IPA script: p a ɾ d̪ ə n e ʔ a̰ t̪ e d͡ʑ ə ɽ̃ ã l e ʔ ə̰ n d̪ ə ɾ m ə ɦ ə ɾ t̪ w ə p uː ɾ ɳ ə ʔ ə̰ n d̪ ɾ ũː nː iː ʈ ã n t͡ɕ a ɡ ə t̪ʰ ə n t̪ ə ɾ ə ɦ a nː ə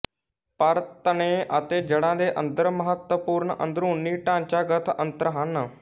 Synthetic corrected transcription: p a ɾ t̪ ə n e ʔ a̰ t̪ e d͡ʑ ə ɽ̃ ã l e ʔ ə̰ n d̪ ə ɾ m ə ɦ ə t̪ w ə p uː ɾ ɳ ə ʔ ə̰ n d̪ ɾ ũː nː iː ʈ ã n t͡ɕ a ɡ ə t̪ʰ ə n t̪ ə ɾ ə ɦ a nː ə